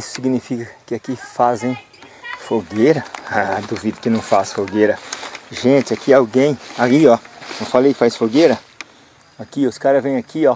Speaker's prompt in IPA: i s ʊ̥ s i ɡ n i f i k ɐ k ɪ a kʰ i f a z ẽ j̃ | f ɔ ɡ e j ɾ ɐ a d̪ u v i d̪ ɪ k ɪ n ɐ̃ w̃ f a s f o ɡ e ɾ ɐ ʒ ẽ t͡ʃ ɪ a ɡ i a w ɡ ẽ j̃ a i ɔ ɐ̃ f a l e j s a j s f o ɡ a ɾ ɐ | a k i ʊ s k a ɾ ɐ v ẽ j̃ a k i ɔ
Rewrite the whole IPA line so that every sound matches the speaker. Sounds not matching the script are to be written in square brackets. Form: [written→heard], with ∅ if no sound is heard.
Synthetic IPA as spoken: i s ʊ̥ s i ɡ n i f i k ɐ k ɪ a [kʰ→k] i f a z ẽ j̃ | f [ɔ→o] ɡ e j ɾ ɐ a d̪ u v i d̪ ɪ k ɪ n ɐ̃ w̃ f a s f o ɡ e ɾ ɐ ʒ ẽ t͡ʃ ɪ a [ɡ→k] i a w ɡ ẽ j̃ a i ɔ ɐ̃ f a l e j [s→f] a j s f o ɡ [a→e] ɾ ɐ | a k i ʊ s k a ɾ ɐ v ẽ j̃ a k i ɔ

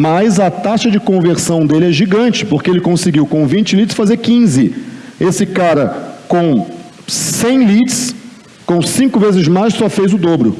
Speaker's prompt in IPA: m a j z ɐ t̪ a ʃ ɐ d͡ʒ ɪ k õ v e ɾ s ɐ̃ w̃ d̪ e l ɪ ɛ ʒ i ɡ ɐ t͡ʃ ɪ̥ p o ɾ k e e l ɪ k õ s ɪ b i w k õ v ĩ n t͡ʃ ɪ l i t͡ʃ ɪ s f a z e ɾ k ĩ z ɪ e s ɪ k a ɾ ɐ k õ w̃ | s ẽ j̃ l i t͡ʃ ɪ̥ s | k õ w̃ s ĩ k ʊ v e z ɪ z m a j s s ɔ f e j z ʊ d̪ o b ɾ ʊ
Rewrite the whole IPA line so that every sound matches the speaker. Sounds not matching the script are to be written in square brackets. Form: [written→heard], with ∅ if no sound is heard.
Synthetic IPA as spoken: m a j z ɐ t̪ a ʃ ɐ d͡ʒ ɪ k õ v e ɾ s ɐ̃ w̃ d̪ e l ɪ ɛ ʒ i ɡ [ɐ→ɐ̃] t͡ʃ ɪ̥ p o ɾ k e e l ɪ k õ s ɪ [b→ɡ] i w k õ v ĩ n t͡ʃ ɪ l i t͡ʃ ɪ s f a z e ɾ k ĩ z ɪ e s ɪ k a ɾ ɐ k õ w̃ | s ẽ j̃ l i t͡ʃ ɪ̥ s | k õ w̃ s ĩ k ʊ v e z ɪ z m a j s s ɔ f e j z ʊ d̪ o b ɾ ʊ

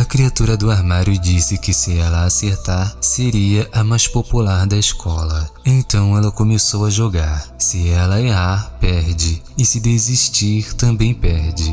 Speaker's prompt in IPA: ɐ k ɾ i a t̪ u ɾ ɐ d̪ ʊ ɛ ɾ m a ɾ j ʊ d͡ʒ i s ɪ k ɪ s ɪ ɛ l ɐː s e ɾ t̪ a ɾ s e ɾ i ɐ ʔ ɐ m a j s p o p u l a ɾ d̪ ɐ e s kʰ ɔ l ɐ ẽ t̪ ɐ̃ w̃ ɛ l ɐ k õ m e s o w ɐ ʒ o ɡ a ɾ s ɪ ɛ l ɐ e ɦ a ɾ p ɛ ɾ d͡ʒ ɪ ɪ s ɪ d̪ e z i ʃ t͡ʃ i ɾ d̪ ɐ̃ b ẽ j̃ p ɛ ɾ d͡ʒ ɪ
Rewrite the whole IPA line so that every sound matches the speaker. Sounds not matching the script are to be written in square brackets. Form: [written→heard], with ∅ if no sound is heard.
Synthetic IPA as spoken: ɐ k ɾ i a t̪ u ɾ ɐ d̪ ʊ [ɛ→a] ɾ m a ɾ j ʊ d͡ʒ i s ɪ k ɪ s ɪ ɛ l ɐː s e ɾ t̪ a ɾ s e ɾ i ɐ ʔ ɐ m a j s p o p u l a ɾ d̪ ɐ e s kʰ ɔ l ɐ ẽ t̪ ɐ̃ w̃ ɛ l ɐ k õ m e s o w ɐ ʒ o ɡ a ɾ s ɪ ɛ l ɐ e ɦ a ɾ p ɛ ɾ d͡ʒ ɪ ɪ s ɪ d̪ e z i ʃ t͡ʃ i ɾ [d̪→t̪] ɐ̃ b ẽ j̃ p ɛ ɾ d͡ʒ ɪ

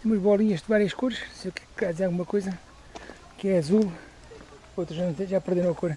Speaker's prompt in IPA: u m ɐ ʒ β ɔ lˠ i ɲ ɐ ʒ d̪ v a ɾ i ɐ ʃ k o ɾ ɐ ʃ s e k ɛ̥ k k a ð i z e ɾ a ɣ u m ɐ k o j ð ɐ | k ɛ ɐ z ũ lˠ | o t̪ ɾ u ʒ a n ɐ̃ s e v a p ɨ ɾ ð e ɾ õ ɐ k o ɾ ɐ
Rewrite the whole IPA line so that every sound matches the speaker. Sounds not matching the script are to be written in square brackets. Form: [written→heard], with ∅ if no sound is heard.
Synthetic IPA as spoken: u m ɐ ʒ β ɔ lˠ i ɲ ɐ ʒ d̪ v a ɾ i ɐ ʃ k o ɾ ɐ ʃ s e k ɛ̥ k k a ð i z e ɾ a ɣ u m ɐ k o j [ð→z] ɐ | k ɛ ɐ z [ũ→u] lˠ | o t̪ ɾ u ʒ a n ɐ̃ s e [v→ʒ] a p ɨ ɾ ð e ɾ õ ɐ k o ɾ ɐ

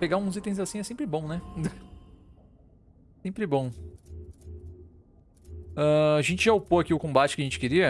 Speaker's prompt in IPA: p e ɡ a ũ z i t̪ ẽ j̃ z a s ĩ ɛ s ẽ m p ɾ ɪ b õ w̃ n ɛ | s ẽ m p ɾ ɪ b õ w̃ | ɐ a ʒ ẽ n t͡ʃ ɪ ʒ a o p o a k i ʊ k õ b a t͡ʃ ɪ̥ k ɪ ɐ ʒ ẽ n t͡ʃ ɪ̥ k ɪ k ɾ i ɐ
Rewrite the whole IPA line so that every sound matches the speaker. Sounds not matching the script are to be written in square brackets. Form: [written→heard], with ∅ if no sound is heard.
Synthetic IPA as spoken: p e ɡ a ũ z i t̪ ẽ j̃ z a s ĩ ɛ s ẽ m p ɾ ɪ b õ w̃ n ɛ | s ẽ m p ɾ ɪ b õ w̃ | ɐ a ʒ ẽ n t͡ʃ ɪ ʒ a o p o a k i ʊ k õ b a t͡ʃ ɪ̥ k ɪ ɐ ʒ ẽ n t͡ʃ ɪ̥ k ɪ [k→∅] ɾ i ɐ

